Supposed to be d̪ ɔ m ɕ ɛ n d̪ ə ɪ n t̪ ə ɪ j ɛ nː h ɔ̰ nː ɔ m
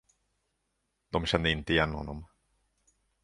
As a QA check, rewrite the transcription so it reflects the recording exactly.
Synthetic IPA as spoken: d̪ ɔ m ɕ ɛ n d̪ ə ɪ n t̪ ə ɪ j ɛ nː h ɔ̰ nː ɔ m